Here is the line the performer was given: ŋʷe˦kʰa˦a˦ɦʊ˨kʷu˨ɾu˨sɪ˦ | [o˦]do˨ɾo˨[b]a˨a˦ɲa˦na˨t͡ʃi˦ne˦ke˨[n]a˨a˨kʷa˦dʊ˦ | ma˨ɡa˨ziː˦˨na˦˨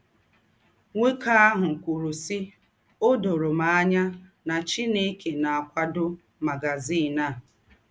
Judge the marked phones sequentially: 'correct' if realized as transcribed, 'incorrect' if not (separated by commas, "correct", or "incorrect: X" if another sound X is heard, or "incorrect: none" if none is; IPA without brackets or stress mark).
correct, incorrect: m, correct